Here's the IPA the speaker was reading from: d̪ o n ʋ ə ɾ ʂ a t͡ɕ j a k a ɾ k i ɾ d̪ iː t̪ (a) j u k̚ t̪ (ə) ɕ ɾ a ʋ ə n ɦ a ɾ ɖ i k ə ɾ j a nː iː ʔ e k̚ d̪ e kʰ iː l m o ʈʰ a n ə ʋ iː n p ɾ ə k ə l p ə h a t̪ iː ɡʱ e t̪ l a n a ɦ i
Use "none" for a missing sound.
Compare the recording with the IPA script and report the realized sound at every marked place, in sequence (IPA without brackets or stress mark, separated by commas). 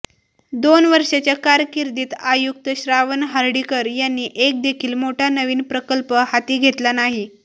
a, ə